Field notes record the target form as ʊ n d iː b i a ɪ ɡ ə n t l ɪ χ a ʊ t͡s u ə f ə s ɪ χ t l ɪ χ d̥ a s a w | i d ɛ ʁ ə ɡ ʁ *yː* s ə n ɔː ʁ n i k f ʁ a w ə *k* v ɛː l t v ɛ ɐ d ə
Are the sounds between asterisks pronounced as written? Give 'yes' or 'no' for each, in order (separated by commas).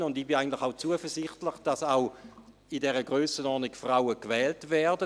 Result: no, yes